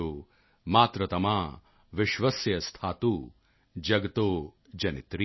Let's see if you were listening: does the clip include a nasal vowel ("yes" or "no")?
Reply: no